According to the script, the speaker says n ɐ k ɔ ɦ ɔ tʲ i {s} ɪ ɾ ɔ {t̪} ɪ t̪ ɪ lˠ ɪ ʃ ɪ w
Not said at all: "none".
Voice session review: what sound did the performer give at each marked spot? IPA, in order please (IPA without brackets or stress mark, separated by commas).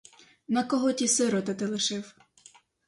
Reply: s, t̪